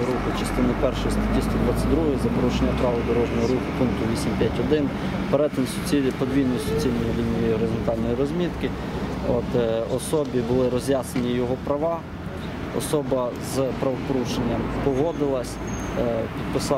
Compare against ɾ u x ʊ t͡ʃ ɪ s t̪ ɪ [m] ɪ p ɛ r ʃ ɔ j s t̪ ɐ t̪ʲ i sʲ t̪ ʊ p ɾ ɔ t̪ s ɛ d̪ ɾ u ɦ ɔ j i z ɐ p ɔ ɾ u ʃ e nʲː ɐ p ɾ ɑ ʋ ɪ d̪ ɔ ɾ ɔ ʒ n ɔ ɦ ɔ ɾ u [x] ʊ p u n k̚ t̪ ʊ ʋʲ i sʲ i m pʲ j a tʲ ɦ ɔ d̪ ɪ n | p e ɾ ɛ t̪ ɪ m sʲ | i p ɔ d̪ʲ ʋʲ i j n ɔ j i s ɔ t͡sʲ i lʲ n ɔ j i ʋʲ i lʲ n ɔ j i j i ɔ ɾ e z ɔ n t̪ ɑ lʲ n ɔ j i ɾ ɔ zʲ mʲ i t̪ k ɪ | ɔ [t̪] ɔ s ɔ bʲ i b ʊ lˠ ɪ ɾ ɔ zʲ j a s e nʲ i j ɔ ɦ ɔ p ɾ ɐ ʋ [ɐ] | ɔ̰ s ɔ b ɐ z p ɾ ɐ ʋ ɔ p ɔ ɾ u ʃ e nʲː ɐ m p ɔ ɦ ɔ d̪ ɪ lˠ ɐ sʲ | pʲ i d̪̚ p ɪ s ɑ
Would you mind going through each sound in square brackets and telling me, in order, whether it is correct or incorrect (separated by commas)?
incorrect, correct, correct, incorrect